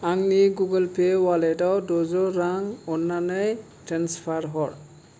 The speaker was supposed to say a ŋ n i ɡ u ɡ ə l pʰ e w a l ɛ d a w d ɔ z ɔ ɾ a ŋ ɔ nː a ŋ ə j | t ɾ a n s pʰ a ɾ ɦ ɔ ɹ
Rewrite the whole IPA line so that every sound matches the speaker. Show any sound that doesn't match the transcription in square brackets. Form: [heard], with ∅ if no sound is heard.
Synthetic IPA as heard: a ŋ n i ɡ u ɡ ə l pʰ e w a l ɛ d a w d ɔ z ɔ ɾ a ŋ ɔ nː a [n] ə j | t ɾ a n s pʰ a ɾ ɦ ɔ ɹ